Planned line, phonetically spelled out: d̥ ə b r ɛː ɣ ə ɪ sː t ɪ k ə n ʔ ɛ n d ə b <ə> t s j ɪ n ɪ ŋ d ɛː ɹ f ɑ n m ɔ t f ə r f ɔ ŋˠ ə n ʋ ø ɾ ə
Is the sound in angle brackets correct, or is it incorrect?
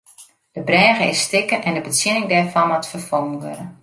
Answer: correct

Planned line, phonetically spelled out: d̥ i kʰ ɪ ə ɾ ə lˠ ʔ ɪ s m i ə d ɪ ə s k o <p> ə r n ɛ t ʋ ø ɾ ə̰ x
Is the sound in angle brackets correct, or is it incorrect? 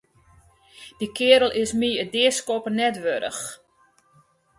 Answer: correct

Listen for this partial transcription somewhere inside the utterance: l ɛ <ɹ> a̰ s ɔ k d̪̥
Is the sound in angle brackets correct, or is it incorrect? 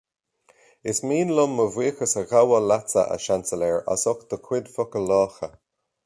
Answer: correct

